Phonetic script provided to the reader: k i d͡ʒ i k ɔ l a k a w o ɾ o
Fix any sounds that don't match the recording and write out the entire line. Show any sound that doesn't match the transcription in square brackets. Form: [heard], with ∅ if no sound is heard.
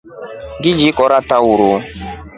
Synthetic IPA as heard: [ɡ] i d͡ʒ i k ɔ [ɾ] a [t] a w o ɾ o